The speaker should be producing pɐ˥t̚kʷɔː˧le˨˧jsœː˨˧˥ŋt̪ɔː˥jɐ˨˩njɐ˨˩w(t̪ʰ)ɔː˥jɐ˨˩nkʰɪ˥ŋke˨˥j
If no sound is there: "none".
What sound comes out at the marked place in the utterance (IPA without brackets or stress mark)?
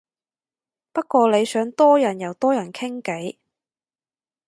t̪